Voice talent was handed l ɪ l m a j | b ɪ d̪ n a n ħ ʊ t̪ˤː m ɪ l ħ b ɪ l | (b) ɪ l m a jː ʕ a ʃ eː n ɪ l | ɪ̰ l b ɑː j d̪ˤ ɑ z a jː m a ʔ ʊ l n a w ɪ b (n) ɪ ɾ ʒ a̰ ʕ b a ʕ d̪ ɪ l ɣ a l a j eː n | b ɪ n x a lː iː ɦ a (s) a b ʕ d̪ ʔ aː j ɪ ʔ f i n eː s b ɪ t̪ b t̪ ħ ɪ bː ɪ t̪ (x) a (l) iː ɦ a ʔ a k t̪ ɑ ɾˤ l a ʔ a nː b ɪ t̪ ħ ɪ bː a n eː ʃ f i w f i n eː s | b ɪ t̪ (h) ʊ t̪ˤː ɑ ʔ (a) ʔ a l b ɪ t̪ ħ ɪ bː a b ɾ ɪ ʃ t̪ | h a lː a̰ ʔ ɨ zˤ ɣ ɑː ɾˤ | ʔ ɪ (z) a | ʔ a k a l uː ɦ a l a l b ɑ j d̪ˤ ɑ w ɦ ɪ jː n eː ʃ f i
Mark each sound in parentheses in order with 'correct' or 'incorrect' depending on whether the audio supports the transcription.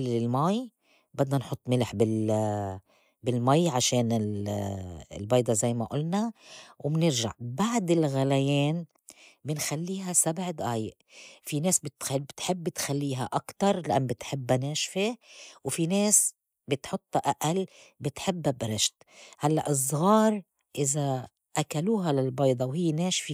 correct, correct, correct, correct, incorrect: lː, incorrect: ħ, correct, correct

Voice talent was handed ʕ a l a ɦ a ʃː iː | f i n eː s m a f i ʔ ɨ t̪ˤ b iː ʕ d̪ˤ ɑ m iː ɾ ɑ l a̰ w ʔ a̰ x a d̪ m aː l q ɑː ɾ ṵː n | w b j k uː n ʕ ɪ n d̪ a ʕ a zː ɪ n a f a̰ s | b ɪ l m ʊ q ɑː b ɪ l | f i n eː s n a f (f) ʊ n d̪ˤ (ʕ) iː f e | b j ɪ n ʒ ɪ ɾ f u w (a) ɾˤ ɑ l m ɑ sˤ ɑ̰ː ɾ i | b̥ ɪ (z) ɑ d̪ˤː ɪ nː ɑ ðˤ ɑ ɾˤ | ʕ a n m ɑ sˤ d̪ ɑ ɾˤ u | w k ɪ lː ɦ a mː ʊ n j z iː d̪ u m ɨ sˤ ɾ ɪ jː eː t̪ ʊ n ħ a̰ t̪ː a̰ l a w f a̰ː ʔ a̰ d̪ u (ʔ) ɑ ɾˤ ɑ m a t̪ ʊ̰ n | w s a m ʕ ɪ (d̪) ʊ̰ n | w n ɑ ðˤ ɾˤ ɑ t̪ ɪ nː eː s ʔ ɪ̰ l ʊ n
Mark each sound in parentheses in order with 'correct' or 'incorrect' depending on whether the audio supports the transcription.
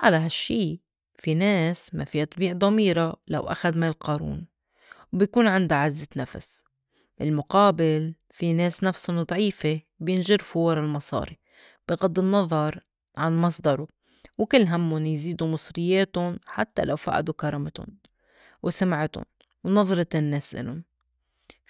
incorrect: s, correct, incorrect: ɑ, incorrect: ɣ, incorrect: k, incorrect: t̪

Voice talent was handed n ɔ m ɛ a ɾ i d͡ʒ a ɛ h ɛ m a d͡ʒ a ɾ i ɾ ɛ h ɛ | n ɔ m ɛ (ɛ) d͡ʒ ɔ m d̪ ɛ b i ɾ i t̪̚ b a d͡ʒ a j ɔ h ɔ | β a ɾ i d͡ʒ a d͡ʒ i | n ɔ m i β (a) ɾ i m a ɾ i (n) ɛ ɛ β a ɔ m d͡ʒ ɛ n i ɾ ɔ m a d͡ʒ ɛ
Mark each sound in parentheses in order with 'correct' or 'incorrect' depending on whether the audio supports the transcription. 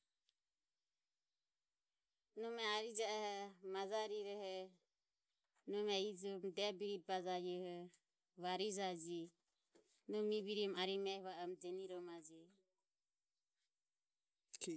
incorrect: i, incorrect: i, incorrect: m

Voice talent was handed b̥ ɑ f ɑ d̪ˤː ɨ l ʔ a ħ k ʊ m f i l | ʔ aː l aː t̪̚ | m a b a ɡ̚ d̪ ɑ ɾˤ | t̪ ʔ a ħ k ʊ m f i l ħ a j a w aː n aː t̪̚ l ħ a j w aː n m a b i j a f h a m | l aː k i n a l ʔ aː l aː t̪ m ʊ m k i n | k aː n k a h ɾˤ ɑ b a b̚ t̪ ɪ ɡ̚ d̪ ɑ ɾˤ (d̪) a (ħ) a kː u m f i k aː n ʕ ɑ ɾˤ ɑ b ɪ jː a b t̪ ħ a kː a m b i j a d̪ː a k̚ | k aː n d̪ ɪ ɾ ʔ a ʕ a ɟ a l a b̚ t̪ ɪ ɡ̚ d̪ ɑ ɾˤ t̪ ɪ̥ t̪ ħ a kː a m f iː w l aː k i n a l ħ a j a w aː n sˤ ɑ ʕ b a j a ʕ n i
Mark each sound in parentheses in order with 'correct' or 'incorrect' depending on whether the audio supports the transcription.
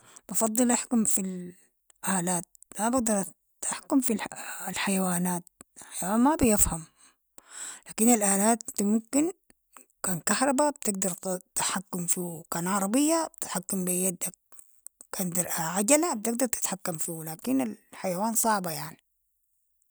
incorrect: t̪, correct

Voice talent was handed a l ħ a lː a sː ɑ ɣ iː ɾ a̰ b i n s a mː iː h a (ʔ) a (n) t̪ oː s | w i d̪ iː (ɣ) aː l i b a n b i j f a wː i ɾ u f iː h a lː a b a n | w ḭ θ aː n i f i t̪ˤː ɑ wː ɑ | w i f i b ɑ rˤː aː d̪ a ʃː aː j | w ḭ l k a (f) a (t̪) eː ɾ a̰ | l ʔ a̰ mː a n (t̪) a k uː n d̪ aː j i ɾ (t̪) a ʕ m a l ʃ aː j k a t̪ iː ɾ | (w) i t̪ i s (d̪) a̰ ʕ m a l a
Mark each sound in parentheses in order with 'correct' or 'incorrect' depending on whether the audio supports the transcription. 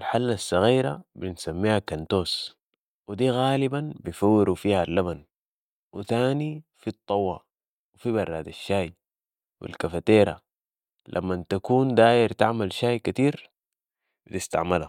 incorrect: k, correct, correct, correct, correct, correct, correct, incorrect: b, incorrect: t̪

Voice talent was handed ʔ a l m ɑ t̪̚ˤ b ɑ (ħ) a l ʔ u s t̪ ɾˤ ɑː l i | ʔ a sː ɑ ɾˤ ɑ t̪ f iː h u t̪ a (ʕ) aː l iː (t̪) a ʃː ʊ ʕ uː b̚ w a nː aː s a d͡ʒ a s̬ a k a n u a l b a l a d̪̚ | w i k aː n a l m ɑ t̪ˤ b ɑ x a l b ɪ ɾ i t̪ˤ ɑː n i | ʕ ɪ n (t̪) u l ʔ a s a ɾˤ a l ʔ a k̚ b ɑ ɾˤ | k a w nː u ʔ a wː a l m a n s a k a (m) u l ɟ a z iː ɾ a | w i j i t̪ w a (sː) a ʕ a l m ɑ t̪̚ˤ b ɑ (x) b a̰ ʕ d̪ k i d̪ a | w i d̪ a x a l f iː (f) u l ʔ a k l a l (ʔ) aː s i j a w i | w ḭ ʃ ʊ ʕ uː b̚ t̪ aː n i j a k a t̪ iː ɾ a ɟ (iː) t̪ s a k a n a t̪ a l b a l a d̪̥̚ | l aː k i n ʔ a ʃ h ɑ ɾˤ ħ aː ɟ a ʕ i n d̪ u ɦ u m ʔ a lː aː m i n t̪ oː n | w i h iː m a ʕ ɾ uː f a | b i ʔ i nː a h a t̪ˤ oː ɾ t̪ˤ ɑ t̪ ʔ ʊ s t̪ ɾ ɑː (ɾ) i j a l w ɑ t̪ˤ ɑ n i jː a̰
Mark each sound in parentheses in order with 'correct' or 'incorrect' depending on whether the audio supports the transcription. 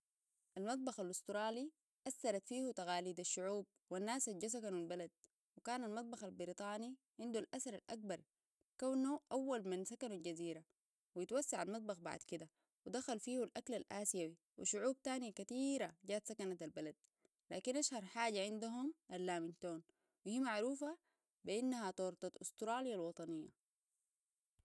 incorrect: x, incorrect: ɣ, incorrect: d̪, incorrect: d̪, incorrect: n, correct, correct, incorrect: h, correct, incorrect: aː, incorrect: l

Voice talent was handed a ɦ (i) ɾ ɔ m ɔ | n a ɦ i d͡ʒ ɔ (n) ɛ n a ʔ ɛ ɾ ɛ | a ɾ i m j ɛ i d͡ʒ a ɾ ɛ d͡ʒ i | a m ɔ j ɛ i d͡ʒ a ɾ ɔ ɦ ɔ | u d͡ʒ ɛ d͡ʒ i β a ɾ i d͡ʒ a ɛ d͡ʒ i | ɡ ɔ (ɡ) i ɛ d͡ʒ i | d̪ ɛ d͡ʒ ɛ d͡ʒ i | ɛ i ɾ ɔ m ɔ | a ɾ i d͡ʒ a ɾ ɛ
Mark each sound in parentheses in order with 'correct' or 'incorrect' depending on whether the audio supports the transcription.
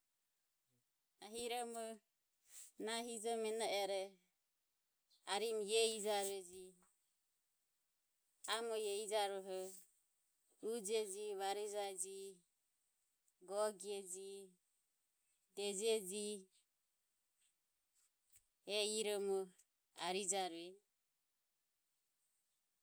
correct, incorrect: m, correct

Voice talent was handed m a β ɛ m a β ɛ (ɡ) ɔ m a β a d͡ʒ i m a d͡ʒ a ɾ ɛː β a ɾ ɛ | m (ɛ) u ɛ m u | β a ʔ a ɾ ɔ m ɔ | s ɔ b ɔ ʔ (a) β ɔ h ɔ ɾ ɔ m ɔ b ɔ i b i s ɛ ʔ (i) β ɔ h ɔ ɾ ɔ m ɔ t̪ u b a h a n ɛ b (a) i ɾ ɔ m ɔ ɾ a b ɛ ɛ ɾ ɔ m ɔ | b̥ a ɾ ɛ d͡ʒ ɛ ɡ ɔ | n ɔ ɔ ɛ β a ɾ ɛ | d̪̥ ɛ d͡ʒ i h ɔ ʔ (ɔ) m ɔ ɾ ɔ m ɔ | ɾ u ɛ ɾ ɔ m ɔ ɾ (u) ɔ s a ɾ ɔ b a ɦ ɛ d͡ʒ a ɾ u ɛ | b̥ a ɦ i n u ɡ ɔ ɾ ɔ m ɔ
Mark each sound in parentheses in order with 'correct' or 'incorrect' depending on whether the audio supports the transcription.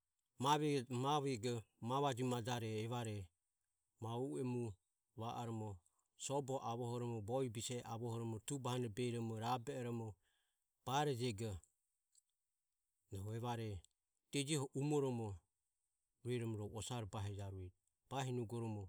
correct, incorrect: a, correct, incorrect: a, incorrect: ɛ, incorrect: u, incorrect: ɔ

